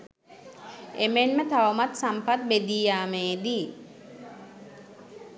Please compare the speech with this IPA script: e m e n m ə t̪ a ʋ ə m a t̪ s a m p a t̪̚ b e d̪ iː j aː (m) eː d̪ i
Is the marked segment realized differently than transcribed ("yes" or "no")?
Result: no